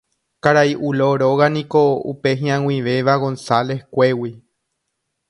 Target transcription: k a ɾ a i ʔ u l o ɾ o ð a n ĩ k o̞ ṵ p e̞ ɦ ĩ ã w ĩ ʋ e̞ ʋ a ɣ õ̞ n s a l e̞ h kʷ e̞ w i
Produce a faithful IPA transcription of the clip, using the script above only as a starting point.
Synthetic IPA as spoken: k a ɾ a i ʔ u l o ɾ o ɣ a n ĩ k o̞ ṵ p e̞ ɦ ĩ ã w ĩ ʋ e̞ ʋ a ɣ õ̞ n s a l e̞ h kʷ e̞ w i